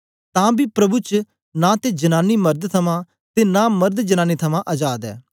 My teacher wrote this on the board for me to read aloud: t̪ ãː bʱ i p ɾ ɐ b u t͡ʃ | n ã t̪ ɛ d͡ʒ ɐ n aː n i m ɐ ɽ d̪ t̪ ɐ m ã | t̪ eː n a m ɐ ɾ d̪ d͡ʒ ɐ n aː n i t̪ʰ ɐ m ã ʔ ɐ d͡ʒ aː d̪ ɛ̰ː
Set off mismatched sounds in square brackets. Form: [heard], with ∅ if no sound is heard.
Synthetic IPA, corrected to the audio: t̪ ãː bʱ i p ɾ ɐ b u t͡ʃ | n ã t̪ [e] d͡ʒ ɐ n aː n i m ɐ [ɾ] d̪ [t̪ʰ] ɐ m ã | t̪ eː n a m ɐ ɾ d̪ d͡ʒ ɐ n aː n i t̪ʰ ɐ m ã ʔ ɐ d͡ʒ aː d̪ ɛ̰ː